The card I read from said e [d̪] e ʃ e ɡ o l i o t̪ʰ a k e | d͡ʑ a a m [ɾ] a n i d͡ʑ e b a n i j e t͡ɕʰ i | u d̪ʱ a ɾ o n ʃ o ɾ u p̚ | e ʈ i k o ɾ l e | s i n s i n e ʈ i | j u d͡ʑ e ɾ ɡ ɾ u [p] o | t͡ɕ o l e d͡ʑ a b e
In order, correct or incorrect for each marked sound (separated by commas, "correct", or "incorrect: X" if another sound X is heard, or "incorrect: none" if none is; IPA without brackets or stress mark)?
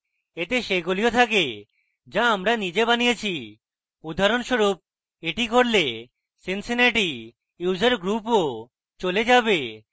incorrect: t̪, correct, correct